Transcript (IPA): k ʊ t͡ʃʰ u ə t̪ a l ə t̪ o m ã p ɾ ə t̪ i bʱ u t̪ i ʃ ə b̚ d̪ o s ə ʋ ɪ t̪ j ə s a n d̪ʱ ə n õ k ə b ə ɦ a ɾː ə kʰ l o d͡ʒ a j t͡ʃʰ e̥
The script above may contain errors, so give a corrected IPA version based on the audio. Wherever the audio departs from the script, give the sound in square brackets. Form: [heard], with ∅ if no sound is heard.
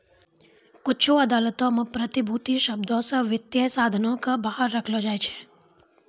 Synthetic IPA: k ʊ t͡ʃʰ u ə [d̪] a l ə t̪ o m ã p ɾ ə t̪ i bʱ u t̪ i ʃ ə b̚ d̪ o s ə ʋ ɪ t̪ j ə s a [∅] d̪ʱ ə n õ k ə b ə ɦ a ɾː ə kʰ l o d͡ʒ a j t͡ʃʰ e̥